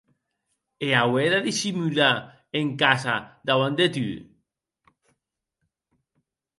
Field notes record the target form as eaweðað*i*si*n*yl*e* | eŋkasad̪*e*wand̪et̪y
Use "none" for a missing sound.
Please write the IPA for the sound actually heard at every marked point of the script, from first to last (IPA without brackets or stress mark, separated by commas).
i, m, a, a